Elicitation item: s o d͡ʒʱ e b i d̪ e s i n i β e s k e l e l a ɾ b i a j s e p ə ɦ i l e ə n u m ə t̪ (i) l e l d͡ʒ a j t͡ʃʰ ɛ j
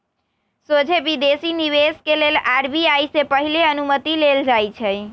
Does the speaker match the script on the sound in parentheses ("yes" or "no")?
yes